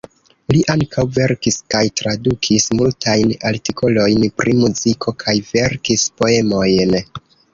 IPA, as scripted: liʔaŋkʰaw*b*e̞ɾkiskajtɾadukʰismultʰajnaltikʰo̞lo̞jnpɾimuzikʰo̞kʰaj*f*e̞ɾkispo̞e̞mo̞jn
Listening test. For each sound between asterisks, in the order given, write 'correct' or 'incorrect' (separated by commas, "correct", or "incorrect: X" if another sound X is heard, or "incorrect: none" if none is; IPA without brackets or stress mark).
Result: incorrect: v, incorrect: v